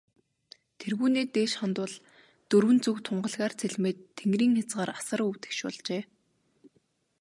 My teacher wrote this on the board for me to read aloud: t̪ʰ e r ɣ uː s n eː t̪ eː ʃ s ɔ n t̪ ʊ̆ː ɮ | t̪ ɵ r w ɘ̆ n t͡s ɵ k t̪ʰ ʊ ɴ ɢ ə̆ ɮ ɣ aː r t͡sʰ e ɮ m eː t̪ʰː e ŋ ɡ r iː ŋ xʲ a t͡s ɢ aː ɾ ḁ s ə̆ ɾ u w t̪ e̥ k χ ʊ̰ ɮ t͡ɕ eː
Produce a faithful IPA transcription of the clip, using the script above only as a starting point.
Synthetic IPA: t̪ʰ e r ɣ uː n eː t̪ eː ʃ χ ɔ n t̪ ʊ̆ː ɮ | t̪ ɵ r w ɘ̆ n t͡s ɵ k t̪ʰ ʊ ɴ ɢ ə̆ ɮ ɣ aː r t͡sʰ e ɮ m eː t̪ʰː e ŋ ɡ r iː ŋ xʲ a t͡s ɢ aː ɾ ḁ s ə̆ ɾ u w t̪ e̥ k ʃ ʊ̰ ɮ t͡ɕ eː